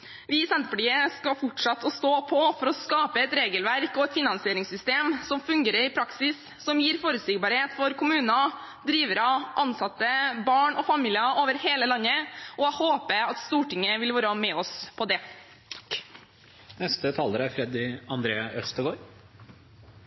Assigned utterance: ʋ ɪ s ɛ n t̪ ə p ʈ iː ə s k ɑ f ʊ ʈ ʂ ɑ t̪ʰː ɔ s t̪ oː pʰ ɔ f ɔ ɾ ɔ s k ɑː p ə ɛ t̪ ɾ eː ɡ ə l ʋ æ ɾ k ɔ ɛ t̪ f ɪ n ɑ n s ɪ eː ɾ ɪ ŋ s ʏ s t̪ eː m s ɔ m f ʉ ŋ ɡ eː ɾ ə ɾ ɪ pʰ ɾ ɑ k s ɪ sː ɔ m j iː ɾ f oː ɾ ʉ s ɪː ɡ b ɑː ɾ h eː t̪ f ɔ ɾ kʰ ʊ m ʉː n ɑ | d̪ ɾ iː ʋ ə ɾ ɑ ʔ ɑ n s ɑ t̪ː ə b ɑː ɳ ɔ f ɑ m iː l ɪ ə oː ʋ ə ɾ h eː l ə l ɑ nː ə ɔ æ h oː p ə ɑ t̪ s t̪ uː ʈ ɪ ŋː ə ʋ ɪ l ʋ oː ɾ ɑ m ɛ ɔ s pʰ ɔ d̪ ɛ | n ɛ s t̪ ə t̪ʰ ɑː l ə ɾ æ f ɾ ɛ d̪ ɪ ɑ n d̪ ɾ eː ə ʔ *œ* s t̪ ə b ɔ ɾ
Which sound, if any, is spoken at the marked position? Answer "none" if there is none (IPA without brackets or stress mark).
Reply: œ